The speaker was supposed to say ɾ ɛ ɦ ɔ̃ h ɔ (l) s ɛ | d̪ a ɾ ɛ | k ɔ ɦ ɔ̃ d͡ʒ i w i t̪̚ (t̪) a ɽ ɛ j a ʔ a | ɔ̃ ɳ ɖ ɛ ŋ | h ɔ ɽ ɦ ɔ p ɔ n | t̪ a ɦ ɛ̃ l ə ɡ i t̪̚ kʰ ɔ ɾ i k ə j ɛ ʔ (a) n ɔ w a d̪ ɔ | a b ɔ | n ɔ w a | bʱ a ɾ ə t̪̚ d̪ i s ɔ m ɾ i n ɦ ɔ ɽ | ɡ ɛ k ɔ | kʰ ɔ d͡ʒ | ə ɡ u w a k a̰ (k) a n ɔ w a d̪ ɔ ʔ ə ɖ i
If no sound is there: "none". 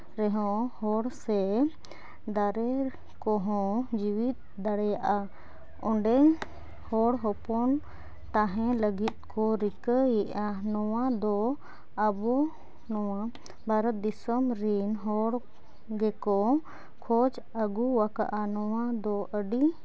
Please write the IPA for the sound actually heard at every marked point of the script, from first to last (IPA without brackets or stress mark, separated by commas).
ɽ, d̪, a, ʔ